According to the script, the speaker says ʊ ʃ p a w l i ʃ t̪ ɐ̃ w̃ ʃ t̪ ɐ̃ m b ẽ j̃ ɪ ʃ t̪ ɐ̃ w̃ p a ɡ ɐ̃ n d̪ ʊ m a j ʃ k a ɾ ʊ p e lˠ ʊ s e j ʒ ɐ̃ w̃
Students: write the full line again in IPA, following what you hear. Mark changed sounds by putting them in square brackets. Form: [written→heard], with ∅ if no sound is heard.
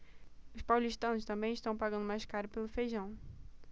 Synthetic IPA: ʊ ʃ p a w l i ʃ t̪ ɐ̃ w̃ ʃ t̪ ɐ̃ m b ẽ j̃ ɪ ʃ t̪ ɐ̃ w̃ p a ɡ ɐ̃ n d̪ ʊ m a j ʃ k a ɾ ʊ p e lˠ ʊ [s→f] e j ʒ ɐ̃ w̃